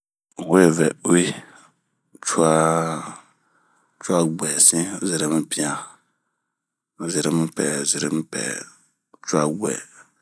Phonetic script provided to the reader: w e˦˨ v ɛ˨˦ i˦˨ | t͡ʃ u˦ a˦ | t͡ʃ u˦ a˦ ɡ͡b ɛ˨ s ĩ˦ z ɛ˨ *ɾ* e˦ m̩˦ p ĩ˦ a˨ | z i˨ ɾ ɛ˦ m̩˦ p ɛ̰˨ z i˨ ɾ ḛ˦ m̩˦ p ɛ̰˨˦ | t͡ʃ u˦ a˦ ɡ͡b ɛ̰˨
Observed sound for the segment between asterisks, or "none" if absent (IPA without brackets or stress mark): ɾ